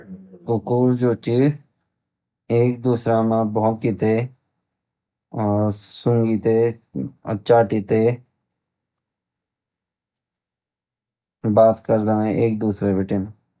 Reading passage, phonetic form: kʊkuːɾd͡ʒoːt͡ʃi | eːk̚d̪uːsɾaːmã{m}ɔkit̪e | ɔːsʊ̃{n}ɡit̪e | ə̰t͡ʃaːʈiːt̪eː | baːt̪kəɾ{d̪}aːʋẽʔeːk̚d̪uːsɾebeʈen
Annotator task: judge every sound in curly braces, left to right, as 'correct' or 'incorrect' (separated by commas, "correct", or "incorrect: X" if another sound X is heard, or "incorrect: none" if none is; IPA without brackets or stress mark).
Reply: incorrect: b, incorrect: ŋ, correct